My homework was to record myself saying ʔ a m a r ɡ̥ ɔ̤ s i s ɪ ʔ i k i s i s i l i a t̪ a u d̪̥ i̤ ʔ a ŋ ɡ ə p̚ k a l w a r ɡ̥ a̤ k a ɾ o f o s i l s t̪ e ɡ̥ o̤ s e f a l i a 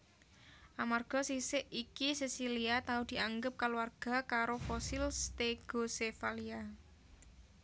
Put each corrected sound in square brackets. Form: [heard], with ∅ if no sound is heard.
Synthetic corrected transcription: ʔ a m a r ɡ̥ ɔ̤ s i s ɪ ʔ i k i s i s i l i a t̪ a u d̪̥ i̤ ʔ a ŋ ɡ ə p̚ k a l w a r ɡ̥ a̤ k a ɾ o f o s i l s t̪ e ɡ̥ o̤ s e f a l i a